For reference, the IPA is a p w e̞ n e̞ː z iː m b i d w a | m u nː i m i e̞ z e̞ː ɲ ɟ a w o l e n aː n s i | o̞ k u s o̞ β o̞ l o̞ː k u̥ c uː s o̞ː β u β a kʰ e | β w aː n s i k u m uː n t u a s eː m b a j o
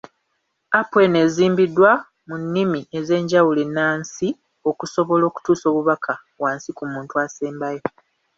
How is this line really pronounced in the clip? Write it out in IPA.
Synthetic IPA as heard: a p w e̞ n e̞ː z iː m b i d w a | m u nː i m i e̞ z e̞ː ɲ ɟ a w u l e n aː n s i | o̞ k u s o̞ β o̞ l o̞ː k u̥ t uː s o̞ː β u β a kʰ a | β w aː n s i k u m uː n t u a s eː m b a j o